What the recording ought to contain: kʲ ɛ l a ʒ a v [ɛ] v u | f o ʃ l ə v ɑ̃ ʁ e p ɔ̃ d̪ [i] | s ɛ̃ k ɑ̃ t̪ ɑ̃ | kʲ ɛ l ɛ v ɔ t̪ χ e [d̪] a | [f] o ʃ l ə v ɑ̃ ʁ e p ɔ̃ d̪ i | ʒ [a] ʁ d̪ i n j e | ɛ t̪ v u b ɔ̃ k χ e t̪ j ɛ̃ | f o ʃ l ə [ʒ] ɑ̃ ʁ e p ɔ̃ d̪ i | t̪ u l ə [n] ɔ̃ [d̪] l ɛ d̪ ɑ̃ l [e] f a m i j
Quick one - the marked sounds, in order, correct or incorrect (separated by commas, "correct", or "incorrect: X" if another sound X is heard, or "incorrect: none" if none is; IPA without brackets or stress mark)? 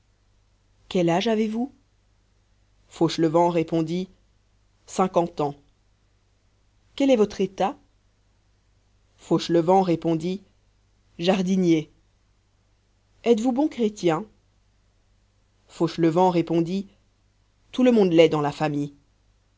incorrect: e, correct, incorrect: t̪, correct, correct, incorrect: v, incorrect: m, correct, incorrect: a